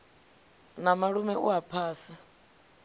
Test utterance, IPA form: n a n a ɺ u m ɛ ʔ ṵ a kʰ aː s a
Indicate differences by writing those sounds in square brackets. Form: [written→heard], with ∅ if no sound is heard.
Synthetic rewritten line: n a [n→m] a ɺ u m ɛ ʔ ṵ a [kʰ→pʰ] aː s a